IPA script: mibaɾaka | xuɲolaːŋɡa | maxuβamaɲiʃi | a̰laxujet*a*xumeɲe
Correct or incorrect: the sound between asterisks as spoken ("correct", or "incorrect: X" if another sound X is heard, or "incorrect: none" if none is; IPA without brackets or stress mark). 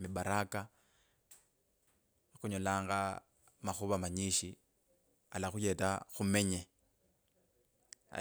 correct